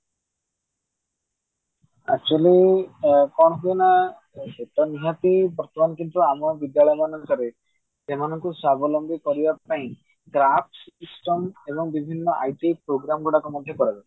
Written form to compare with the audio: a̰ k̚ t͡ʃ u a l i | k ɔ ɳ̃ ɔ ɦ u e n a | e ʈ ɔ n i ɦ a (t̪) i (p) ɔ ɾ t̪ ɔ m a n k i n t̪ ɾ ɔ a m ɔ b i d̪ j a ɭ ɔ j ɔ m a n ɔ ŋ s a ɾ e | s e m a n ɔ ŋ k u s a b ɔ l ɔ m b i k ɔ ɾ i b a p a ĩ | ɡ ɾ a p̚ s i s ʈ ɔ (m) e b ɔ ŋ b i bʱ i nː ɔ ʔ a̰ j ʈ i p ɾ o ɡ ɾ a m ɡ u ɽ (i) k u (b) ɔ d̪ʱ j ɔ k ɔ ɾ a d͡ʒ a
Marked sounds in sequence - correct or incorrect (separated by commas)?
correct, incorrect, correct, incorrect, incorrect